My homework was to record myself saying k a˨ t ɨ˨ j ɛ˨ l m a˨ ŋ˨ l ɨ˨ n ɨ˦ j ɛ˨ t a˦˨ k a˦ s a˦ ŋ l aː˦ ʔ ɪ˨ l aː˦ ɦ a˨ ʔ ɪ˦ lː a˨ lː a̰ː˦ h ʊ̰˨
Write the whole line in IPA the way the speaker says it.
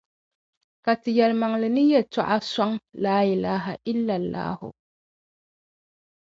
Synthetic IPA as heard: k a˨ t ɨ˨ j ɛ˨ l m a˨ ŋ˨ l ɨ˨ n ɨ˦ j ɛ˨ t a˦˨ ʔ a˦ s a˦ ŋ l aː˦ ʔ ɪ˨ l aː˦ ɦ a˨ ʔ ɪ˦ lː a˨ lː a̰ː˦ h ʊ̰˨